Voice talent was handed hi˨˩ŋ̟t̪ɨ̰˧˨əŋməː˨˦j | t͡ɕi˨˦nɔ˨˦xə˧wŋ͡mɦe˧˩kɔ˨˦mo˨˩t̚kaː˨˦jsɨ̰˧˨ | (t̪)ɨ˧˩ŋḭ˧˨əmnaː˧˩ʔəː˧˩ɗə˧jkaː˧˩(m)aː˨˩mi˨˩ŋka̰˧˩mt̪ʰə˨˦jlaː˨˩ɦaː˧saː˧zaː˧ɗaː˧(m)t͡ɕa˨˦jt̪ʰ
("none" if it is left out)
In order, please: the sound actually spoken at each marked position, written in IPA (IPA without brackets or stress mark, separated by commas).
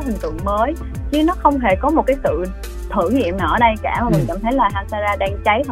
t̪ʰ, m, ŋ